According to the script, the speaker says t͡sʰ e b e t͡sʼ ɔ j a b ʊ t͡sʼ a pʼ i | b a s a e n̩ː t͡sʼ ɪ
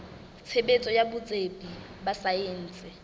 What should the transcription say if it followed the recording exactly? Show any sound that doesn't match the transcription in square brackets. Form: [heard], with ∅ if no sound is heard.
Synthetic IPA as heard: t͡sʰ e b e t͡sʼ ɔ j a b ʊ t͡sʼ [e] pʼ i | b a s a e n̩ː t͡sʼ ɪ